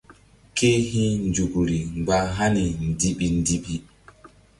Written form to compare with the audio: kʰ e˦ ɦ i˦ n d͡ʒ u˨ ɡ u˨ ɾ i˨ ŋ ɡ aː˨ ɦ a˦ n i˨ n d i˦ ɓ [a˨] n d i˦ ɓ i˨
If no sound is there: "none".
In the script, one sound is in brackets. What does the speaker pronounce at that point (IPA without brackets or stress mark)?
i˨